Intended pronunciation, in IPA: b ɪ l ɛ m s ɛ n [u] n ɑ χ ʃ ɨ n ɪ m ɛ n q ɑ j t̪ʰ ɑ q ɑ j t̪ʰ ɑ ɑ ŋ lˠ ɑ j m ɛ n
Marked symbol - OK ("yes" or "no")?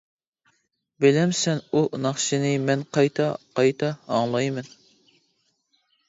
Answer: yes